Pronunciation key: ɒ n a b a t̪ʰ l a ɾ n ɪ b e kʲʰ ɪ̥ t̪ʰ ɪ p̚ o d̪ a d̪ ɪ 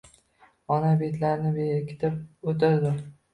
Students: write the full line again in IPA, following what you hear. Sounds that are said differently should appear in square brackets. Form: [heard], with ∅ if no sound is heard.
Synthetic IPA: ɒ n a b [e] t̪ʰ l a ɾ n ɪ b e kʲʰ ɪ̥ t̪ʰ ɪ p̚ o [t̪] a d̪ ɪ